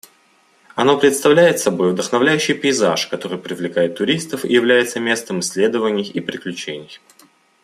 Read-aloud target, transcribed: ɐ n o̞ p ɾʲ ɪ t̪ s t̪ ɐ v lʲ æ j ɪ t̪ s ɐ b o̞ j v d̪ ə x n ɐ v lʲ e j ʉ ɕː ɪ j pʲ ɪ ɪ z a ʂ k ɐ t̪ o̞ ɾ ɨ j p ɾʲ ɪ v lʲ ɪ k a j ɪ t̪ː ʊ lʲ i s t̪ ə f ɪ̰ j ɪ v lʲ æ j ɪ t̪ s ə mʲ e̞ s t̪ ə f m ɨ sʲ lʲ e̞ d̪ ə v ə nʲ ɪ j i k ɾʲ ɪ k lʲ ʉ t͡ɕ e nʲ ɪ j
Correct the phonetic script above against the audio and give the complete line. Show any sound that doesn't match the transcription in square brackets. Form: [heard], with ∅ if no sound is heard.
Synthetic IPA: ɐ n o̞ p ɾʲ ɪ t̪ s t̪ ɐ v lʲ æ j ɪ t̪ s ɐ b o̞ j v d̪ ə x n ɐ v lʲ [æ] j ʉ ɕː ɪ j pʲ ɪ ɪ z a ʂ k ɐ t̪ o̞ ɾ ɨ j p ɾʲ ɪ v lʲ ɪ k a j ɪ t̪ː ʊ [ɾʲ] i s t̪ ə f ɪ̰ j ɪ v lʲ æ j ɪ t̪ s ə mʲ e̞ s t̪ ə [∅] m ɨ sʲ lʲ e̞ d̪ ə v ə nʲ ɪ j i [p] ɾʲ ɪ k lʲ ʉ t͡ɕ e nʲ ɪ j